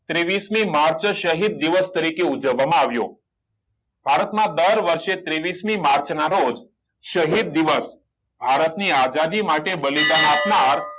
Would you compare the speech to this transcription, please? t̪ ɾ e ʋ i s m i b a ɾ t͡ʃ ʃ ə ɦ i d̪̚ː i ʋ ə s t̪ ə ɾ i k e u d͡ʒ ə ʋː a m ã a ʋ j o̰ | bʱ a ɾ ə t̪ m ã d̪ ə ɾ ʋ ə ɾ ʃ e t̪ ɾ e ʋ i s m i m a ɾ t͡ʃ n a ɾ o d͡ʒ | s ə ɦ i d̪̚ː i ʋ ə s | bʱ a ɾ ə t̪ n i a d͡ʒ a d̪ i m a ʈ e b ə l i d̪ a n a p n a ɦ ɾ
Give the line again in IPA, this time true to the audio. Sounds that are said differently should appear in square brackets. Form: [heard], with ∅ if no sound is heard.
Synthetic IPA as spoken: t̪ ɾ e ʋ i s m i [m] a ɾ t͡ʃ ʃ ə ɦ i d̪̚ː i ʋ ə s t̪ ə ɾ i k e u d͡ʒ ə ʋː a m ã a ʋ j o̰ | bʱ a ɾ ə t̪ m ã d̪ ə ɾ ʋ ə ɾ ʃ e t̪ ɾ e ʋ i s m i m a ɾ t͡ʃ n a ɾ o d͡ʒ | [ʃ] ə ɦ i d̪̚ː i ʋ ə s | bʱ a ɾ ə t̪ n i a d͡ʒ a d̪ i m a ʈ e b ə l i d̪ a n a p n a [∅] ɾ